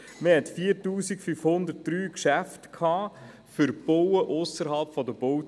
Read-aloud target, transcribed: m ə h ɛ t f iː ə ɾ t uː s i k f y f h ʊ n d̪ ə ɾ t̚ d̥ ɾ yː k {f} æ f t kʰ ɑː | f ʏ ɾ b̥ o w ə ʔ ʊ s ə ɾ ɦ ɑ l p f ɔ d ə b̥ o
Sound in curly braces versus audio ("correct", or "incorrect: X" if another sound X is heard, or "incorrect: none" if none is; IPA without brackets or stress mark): incorrect: ʃ